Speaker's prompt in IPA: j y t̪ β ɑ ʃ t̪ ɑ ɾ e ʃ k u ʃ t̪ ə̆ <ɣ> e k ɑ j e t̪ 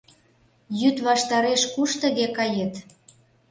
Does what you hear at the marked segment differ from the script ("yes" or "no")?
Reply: no